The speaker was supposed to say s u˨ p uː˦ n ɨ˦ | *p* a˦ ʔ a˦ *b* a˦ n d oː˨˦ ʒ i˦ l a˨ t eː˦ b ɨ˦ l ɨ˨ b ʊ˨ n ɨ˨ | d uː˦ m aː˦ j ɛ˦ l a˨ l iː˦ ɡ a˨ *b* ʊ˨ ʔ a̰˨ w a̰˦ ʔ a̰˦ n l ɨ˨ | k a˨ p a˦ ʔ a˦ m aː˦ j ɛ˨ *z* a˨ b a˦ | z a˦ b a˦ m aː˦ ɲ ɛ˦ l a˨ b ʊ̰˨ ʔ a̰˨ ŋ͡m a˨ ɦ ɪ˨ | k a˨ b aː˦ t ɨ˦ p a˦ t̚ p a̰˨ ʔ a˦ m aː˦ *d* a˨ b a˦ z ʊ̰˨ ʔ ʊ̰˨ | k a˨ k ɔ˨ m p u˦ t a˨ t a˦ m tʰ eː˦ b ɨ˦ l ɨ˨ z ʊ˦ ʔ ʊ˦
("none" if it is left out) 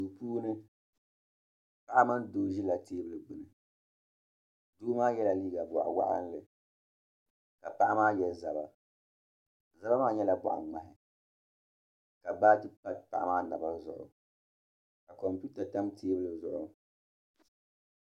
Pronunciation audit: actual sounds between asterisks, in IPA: p, m, b, z, n

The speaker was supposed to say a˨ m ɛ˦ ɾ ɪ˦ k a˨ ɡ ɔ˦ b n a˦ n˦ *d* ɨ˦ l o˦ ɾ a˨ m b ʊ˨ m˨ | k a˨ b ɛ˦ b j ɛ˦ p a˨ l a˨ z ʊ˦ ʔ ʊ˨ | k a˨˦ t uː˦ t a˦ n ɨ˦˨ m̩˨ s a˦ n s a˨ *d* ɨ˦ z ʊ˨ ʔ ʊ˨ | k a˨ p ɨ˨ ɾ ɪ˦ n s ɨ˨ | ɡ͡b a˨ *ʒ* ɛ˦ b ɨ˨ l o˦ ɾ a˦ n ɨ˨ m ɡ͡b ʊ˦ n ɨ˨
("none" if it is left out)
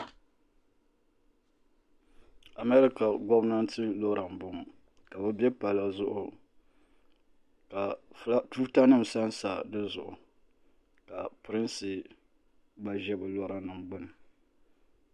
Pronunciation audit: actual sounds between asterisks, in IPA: t, d, ʒ

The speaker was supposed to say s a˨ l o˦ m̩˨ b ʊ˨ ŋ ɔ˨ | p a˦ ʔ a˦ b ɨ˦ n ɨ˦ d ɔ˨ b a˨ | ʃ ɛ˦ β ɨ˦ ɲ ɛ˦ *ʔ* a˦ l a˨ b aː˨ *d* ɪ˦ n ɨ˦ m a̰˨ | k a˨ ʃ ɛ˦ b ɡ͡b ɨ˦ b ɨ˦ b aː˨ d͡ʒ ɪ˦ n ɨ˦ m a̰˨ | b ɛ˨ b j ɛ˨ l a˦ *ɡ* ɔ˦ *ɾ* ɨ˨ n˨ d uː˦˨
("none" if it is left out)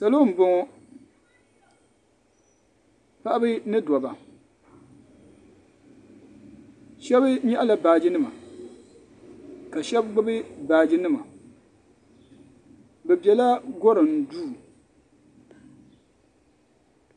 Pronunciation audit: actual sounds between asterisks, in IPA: ʔ, d͡ʒ, ɡ, ɾ

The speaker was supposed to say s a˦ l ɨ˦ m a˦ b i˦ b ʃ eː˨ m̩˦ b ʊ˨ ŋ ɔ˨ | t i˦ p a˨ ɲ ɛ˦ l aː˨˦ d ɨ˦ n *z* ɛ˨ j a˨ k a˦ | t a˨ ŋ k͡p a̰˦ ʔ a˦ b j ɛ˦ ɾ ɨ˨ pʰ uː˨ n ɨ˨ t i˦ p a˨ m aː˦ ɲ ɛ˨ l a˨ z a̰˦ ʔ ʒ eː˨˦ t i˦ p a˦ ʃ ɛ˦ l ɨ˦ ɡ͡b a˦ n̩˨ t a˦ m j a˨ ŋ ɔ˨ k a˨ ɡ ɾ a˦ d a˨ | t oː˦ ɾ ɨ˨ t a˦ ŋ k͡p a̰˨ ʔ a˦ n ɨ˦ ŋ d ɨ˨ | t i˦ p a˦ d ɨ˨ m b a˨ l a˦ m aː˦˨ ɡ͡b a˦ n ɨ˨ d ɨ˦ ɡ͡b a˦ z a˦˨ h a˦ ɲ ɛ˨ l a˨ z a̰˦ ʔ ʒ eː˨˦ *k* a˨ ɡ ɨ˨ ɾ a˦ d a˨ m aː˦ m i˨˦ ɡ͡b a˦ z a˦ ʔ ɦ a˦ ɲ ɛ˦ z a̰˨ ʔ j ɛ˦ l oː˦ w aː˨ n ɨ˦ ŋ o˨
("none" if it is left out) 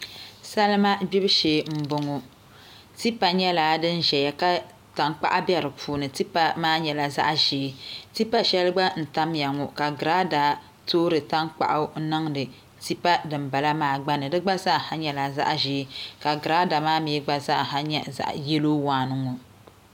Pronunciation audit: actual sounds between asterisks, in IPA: ʒ, k

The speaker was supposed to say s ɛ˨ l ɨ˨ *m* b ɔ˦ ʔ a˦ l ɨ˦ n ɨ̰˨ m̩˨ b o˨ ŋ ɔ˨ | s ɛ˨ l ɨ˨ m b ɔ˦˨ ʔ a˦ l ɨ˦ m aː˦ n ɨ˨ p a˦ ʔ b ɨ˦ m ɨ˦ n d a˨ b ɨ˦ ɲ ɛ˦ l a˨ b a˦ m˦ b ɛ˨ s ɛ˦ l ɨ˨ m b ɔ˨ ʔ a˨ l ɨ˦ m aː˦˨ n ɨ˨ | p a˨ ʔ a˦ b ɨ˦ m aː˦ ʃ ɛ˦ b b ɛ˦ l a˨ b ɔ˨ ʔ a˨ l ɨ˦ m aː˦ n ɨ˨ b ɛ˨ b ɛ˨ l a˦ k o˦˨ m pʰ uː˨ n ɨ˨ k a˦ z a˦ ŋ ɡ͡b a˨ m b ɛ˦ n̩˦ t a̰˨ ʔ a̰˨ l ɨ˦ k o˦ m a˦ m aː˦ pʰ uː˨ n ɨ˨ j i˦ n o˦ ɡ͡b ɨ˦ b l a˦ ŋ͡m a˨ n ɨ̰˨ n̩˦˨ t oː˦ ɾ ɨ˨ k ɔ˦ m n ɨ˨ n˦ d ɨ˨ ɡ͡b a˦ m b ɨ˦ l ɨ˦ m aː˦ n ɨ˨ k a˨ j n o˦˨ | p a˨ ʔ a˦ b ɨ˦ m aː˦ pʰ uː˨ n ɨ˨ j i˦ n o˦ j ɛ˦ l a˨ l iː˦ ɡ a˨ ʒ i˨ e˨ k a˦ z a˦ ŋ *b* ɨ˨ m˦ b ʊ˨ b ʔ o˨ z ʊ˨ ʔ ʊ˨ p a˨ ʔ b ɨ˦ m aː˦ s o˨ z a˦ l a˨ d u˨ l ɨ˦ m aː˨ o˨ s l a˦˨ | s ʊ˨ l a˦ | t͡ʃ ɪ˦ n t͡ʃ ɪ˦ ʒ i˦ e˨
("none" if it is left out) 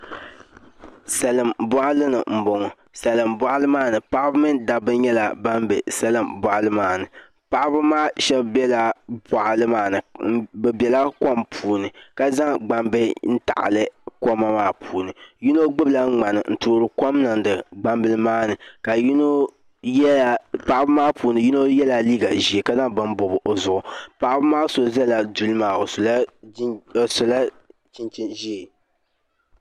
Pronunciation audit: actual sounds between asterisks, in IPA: m, b

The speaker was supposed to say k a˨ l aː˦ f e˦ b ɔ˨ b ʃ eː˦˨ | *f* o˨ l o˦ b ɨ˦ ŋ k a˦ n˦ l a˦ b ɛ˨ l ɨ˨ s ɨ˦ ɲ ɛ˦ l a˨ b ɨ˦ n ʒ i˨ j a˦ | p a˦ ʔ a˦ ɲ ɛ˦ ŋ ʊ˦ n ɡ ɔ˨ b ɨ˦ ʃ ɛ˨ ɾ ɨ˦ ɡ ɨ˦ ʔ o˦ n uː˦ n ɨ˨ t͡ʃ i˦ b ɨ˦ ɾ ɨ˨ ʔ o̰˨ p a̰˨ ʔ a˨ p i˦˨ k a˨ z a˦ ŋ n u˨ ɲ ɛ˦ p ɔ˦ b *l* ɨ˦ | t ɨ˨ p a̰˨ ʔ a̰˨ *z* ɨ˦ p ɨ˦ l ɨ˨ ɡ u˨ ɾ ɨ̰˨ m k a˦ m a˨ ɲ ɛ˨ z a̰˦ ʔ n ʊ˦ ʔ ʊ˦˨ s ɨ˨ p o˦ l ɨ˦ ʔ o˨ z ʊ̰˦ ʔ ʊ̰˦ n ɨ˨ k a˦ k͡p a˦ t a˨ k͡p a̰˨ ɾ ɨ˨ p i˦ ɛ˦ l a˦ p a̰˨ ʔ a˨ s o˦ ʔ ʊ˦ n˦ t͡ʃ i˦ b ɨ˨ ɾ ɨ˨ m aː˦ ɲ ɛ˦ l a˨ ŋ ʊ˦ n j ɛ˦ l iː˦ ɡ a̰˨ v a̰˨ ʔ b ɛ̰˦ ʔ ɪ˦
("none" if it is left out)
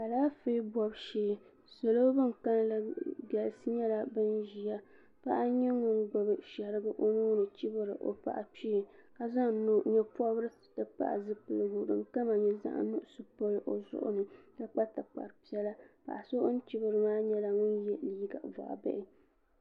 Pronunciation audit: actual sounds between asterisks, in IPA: s, ɾ, z

